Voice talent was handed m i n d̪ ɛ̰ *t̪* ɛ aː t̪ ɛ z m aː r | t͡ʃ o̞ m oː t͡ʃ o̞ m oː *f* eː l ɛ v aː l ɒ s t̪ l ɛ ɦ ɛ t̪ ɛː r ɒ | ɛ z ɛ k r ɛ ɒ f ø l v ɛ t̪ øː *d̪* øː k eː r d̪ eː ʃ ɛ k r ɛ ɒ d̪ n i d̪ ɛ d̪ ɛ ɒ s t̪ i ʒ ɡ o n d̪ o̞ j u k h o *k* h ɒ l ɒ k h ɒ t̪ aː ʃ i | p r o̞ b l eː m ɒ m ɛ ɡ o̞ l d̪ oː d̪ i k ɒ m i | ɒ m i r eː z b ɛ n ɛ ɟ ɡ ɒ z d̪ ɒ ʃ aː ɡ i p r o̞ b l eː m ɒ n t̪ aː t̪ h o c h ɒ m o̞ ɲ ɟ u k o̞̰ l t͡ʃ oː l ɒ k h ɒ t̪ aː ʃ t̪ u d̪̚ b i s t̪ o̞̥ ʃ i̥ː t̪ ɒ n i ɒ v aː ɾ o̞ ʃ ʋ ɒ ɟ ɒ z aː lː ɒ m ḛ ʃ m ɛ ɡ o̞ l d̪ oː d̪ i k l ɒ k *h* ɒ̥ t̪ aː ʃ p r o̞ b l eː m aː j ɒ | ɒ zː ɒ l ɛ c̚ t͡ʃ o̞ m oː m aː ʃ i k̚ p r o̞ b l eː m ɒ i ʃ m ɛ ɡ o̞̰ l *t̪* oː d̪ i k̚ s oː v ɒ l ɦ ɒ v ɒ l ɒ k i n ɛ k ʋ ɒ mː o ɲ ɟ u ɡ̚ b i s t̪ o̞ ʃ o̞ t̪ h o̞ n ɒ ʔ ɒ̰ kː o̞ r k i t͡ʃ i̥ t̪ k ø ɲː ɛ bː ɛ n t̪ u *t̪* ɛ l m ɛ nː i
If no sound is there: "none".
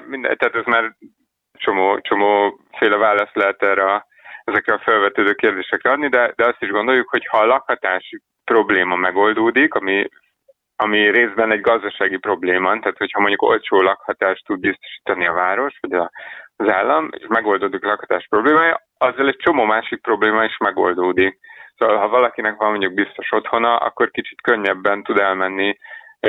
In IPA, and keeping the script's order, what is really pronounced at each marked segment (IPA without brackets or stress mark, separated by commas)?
t̪, f, d̪, c, h, d̪, d̪